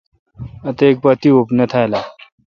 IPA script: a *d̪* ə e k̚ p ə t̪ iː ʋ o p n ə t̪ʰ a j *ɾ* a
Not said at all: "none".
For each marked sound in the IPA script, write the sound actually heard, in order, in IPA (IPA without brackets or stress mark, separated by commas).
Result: t̪, l